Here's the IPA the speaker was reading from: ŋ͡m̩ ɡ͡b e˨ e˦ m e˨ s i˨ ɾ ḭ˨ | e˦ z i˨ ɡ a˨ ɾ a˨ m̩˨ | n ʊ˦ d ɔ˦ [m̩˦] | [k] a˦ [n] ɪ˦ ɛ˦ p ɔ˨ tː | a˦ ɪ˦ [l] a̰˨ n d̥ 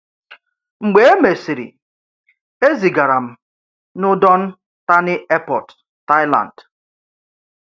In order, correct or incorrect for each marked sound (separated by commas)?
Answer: incorrect, incorrect, correct, correct